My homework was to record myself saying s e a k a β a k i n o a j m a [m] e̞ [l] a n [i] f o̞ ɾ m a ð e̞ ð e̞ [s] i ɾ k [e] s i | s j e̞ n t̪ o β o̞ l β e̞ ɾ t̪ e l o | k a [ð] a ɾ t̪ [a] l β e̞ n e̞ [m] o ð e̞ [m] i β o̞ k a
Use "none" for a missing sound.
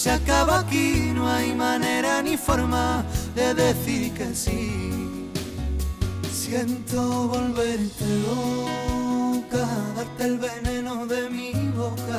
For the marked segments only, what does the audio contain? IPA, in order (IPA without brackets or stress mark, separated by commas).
n, ɾ, i, θ, e, ð, e, n, m